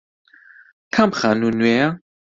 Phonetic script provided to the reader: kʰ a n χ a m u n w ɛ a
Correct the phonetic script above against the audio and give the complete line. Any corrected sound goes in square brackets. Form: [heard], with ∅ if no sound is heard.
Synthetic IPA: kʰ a [m] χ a [n] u n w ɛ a